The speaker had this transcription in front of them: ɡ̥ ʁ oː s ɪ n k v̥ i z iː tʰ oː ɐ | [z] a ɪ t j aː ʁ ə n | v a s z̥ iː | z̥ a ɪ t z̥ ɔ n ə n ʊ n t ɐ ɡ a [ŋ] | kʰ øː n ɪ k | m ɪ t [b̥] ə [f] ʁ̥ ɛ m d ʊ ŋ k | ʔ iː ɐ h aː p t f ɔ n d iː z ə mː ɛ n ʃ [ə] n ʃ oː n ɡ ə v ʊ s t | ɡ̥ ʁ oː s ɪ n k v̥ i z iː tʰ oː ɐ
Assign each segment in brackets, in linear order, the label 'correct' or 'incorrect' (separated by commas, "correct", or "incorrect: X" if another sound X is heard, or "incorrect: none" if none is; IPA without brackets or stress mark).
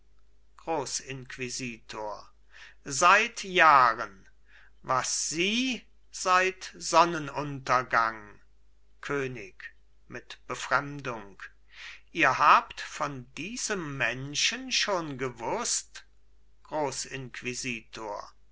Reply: correct, correct, correct, correct, correct